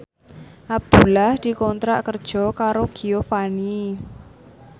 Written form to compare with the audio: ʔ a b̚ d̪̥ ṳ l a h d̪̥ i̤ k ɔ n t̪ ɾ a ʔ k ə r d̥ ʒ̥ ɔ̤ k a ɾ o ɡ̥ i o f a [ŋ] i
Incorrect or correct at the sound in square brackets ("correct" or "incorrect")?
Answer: incorrect